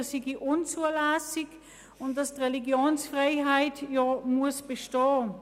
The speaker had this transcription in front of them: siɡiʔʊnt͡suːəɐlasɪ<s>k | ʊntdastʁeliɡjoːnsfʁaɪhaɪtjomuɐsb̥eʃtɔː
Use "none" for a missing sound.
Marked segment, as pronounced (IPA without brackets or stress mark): none